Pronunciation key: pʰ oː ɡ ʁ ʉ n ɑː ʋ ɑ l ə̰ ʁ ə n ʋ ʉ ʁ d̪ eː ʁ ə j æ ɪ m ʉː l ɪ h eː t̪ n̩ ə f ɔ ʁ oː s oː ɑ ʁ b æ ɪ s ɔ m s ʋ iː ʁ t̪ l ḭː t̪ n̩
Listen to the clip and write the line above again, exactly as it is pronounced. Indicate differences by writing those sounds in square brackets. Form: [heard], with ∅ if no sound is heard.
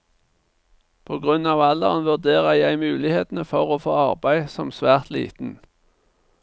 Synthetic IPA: pʰ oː ɡ ʁ ʉ n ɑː ʋ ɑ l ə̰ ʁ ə n ʋ ʉ ʁ d̪ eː ʁ ə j æ ɪ m ʉː l ɪ h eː t̪ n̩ ə f ɔ ʁ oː [f] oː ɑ ʁ b æ ɪ s ɔ m s ʋ [æː] ʁ t̪ l ḭː t̪ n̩